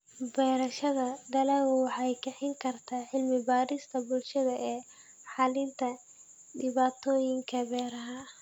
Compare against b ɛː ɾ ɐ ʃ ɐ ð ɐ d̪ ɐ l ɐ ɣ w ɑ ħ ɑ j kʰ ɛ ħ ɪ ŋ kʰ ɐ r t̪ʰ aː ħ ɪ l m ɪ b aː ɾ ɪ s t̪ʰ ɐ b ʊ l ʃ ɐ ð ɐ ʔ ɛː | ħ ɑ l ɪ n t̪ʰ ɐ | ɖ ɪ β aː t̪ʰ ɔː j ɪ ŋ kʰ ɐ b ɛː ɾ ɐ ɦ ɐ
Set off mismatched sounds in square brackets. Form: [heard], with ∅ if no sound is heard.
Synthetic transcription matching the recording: b ɛː ɾ ɐ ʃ ɐ ð ɐ d̪ ɐ l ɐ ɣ w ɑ ħ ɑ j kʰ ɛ ħ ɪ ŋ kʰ ɐ r t̪ʰ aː ħ ɪ l m ɪ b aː ɾ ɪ s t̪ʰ ɐ b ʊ l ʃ ɐ ð ɐ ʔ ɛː | ħ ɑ l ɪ n t̪ʰ ɐ | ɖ ɪ β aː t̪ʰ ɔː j ɪ ŋ kʰ ɐ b ɛː ɾ ɐ ɦ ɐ